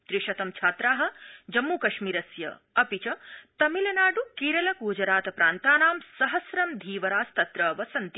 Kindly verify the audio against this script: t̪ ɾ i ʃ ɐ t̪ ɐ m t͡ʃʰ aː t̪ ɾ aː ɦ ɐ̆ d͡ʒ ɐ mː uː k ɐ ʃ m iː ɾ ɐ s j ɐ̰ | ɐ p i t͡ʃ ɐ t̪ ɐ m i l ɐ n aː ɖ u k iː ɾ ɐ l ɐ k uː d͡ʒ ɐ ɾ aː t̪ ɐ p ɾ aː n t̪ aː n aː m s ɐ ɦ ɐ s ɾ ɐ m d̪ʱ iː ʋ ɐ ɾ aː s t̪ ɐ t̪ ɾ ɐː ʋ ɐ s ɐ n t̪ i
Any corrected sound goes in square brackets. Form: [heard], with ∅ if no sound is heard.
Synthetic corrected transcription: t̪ ɾ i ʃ ɐ t̪ ɐ m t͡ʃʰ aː t̪ ɾ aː ɦ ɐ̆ d͡ʒ ɐ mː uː k ɐ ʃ m iː ɾ ɐ s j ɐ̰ | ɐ p i t͡ʃ ɐ t̪ ɐ m i l ɐ n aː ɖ u k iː ɾ ɐ l ɐ k uː d͡ʒ ɐ ɾ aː t̪ ɐ p ɾ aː n t̪ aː n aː m s ɐ ɦ ɐ s ɾ ɐ m d̪ʱ iː ʋ ɐ ɾ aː s t̪ ɐ t̪ ɾ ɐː ʋ ɐ s ɐ n t̪ i